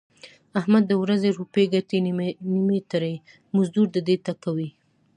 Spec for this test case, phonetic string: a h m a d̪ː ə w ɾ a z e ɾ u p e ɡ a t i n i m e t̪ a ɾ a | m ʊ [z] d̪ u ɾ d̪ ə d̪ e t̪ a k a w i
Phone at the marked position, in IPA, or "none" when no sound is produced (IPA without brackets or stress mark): z